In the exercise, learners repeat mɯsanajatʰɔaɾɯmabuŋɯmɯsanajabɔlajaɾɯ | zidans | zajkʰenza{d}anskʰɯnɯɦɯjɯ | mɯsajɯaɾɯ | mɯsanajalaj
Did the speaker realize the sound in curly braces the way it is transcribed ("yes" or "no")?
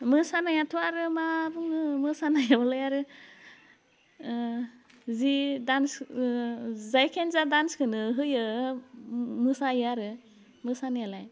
yes